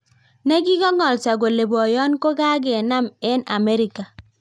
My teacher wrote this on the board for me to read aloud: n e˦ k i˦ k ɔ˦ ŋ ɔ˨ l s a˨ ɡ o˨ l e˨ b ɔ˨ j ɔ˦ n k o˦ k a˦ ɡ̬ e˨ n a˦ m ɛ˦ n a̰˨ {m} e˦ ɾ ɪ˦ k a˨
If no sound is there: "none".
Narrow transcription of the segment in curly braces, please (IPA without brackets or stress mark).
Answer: m